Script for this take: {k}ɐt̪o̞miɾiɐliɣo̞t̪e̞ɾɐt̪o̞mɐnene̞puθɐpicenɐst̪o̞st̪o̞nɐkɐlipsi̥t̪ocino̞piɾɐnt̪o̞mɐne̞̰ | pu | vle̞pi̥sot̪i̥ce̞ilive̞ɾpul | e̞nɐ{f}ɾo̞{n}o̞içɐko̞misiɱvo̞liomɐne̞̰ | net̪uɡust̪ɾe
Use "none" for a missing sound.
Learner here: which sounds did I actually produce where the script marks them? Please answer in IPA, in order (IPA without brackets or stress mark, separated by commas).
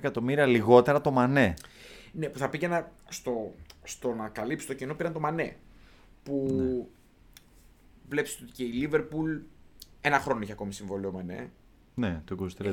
k, x, n